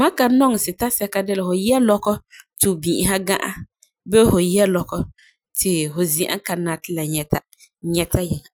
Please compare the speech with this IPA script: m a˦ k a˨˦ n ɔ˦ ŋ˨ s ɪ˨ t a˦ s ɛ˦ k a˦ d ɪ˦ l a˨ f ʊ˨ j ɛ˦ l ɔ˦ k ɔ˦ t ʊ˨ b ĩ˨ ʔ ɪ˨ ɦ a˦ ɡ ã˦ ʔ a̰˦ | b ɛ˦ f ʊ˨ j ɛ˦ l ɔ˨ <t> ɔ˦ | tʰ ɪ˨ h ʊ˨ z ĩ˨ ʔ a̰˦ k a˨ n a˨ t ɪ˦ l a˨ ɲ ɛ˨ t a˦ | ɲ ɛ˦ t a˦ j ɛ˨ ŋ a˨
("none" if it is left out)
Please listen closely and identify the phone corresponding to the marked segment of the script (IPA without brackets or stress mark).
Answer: k